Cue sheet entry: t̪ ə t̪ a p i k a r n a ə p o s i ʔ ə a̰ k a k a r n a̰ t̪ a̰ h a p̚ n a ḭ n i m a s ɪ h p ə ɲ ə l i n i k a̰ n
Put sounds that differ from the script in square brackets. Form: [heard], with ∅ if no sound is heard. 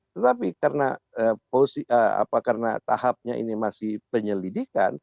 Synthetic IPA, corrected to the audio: t̪ ə t̪ a p i k a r n a ə p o s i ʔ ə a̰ [p] a k a r n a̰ t̪ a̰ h a p̚ [ɲ] a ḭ n i m a s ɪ h p ə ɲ ə l i [d] i k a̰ n